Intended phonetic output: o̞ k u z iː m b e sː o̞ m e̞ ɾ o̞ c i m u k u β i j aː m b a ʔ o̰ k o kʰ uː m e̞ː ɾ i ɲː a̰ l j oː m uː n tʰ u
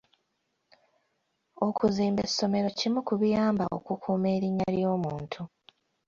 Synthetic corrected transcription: o̞ k u z iː m b e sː o̞ m e̞ ɾ o̞ c i m u k u β i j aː m b a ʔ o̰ k u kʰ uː m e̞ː ɾ i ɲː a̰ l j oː m uː n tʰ u